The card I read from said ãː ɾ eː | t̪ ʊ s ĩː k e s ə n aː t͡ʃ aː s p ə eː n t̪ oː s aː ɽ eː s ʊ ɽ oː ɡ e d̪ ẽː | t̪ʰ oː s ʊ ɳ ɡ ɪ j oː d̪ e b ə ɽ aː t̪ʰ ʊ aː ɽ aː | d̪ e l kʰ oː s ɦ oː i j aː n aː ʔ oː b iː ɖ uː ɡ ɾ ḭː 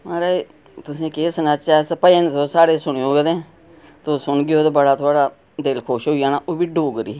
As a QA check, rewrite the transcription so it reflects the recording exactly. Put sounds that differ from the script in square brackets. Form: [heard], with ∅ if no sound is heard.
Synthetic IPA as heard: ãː ɾ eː | t̪ ʊ s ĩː k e s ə n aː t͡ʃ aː s p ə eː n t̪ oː s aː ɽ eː s ʊ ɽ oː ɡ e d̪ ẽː | [t̪] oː s ʊ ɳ ɡ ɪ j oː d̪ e b ə ɽ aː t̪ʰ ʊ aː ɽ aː | d̪ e l kʰ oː [ʃ] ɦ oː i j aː n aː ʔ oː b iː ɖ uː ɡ ɾ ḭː